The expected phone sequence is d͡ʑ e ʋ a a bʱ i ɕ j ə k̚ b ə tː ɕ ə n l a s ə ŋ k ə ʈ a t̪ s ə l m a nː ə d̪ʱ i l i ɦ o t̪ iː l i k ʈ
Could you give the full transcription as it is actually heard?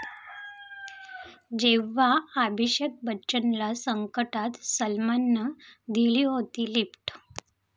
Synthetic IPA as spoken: d͡ʑ e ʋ a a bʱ i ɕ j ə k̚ b ə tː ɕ ə n l a s ə ŋ k ə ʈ a t̪ s ə l m a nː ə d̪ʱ i l i ɦ o t̪ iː l i p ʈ